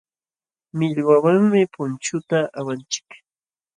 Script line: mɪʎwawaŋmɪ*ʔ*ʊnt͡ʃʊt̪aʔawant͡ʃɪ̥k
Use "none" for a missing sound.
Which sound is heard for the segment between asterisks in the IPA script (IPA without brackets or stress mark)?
p